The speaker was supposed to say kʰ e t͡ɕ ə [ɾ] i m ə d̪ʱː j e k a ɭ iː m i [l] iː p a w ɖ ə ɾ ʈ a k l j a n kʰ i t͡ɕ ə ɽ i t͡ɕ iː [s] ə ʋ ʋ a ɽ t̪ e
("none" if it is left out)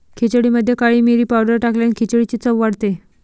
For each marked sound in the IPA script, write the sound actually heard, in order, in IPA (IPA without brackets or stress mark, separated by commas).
ɽ, ɾ, t͡s